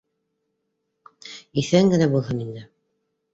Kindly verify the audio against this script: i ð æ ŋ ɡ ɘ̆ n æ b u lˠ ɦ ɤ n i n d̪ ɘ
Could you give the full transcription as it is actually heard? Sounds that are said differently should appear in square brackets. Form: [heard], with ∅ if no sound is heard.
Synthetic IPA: i [θ] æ ŋ ɡ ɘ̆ n æ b u lˠ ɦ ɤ n i n d̪ ɘ